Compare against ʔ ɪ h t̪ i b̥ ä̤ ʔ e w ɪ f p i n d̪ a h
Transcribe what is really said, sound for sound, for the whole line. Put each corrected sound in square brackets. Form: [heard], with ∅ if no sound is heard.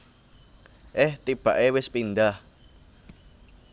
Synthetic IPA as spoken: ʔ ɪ h t̪ i b̥ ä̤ ʔ e w ɪ [s] p i n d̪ a h